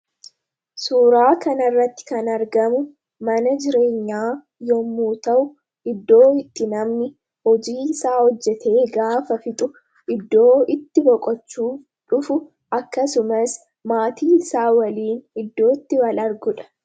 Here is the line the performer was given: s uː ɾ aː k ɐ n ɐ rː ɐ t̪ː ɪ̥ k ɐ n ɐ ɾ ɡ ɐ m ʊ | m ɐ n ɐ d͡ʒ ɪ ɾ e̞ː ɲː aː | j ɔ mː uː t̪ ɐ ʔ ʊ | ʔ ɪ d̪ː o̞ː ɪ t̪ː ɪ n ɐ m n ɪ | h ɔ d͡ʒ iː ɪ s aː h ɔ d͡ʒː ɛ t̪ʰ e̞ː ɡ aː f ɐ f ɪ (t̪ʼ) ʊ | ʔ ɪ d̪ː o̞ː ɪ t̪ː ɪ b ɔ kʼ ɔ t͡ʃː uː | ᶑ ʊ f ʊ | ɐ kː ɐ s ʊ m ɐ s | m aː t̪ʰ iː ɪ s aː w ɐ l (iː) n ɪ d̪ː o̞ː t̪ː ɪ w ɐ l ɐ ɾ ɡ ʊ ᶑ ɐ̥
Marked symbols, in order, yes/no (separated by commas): yes, yes